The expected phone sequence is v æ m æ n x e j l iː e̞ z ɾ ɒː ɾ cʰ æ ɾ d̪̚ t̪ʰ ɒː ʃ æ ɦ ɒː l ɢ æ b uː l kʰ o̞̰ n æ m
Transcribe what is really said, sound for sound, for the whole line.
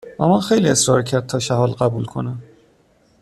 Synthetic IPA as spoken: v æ m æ n x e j l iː e̞ s ɾ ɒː ɾ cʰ æ ɾ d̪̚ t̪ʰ ɒː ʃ æ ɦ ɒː l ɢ æ b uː l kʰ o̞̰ n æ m